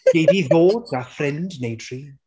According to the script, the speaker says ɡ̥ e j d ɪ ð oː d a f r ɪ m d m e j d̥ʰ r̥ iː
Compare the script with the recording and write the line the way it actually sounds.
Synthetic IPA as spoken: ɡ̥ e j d i ð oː d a f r ɪ n d n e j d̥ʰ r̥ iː